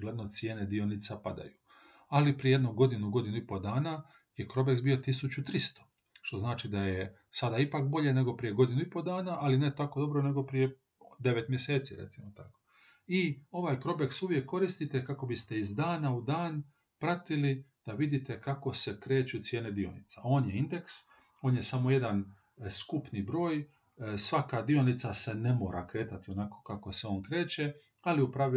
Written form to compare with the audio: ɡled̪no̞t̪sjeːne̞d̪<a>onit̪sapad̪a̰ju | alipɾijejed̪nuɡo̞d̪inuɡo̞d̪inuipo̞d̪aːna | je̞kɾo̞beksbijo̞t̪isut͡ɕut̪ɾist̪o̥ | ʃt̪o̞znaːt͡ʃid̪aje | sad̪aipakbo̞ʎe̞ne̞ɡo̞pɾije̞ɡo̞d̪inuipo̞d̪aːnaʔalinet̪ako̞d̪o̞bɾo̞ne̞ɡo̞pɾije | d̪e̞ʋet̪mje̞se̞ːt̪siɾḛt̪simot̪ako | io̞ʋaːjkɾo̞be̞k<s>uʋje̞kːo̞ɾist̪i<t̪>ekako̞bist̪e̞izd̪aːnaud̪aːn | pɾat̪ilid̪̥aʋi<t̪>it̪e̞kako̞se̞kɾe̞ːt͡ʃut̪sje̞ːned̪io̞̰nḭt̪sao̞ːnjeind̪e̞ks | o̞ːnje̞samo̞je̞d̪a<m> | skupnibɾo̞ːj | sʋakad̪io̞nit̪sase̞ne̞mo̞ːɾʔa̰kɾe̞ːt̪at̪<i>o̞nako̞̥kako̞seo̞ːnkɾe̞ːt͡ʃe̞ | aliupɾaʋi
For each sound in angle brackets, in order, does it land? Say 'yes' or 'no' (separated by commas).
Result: no, yes, yes, no, no, yes